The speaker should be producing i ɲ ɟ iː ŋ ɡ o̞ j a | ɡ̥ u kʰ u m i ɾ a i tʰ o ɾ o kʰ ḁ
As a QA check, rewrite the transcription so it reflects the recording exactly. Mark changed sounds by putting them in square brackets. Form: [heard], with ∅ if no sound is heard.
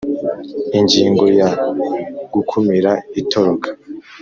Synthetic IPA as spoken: i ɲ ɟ iː ŋ ɡ o̞ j a | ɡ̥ u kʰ u m i ɾ a i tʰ o ɾ o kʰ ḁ